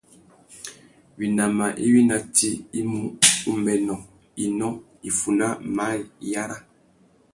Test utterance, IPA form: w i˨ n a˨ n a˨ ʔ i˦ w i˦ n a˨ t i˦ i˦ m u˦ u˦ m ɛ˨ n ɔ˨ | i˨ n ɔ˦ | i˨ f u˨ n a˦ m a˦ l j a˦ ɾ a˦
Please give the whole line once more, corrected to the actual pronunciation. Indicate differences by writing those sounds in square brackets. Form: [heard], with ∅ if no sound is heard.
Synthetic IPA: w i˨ n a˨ [m] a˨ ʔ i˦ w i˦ n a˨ t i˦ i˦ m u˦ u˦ m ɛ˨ n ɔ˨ | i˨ n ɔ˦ | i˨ f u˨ n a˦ m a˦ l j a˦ ɾ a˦